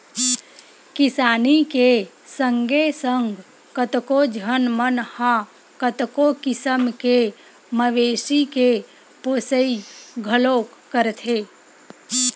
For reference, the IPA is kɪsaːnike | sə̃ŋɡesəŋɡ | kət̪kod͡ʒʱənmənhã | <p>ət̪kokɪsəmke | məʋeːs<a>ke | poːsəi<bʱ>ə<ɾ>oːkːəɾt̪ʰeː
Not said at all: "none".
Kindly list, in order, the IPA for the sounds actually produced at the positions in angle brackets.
k, i, ɡʱ, l

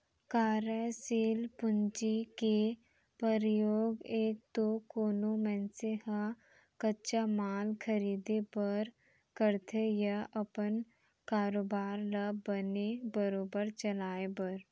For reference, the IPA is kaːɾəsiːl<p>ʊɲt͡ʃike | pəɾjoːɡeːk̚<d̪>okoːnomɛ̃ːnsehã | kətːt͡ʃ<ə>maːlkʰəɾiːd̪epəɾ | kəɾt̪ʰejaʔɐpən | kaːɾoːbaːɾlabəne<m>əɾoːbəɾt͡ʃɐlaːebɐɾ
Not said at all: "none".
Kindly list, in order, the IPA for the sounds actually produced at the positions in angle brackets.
p, t̪, a, b

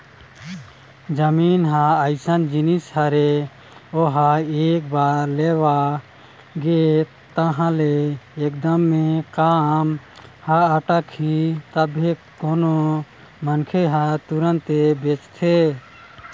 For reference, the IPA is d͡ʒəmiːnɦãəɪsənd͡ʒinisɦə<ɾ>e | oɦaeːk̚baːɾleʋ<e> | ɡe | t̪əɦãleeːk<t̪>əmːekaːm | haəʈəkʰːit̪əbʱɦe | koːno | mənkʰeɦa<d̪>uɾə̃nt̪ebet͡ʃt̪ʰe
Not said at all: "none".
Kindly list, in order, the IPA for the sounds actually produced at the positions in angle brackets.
ɾ, a, d̪, t̪

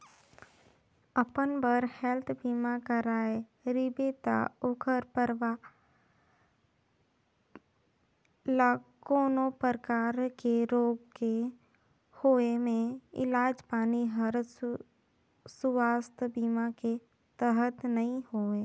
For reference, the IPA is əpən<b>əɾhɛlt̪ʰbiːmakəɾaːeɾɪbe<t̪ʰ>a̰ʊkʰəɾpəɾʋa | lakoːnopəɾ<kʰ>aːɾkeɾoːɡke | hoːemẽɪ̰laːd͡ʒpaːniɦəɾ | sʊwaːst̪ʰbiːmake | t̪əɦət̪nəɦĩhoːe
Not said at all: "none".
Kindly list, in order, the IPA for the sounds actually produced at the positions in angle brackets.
b, t̪, k

